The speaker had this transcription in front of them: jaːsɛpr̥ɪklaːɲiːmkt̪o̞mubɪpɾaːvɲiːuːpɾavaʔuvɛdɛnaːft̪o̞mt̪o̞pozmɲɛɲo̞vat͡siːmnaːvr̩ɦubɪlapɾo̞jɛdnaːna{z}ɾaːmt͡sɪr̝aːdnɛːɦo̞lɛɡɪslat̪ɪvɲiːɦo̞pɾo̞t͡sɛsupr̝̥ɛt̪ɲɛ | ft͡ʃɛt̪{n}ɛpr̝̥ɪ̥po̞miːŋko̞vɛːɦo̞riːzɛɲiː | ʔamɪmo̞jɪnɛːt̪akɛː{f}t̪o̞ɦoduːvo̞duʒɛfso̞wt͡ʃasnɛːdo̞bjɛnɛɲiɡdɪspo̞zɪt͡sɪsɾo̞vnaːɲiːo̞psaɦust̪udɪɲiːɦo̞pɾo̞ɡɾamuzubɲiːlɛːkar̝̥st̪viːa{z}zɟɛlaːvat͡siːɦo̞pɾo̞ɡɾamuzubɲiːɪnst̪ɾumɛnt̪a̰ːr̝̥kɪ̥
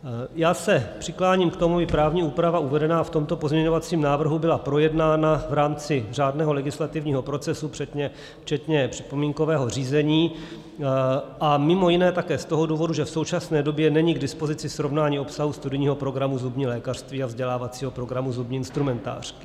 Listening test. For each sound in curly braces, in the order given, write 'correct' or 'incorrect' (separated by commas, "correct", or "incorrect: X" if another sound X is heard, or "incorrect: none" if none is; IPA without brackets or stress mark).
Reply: incorrect: v, incorrect: ɲ, incorrect: s, incorrect: v